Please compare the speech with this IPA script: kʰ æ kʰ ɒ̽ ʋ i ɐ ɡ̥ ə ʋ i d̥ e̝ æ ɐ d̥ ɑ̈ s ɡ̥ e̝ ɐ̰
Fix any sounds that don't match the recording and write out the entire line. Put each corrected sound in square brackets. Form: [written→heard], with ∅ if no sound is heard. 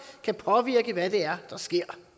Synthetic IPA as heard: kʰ æ [kʰ→pʰ] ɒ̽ ʋ i ɐ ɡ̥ ə ʋ [i→æ] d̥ e̝ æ ɐ d̥ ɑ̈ s ɡ̥ e̝ ɐ̰